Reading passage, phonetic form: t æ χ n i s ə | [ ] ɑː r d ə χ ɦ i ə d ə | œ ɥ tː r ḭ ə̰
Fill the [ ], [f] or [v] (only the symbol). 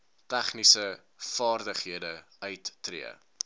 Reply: f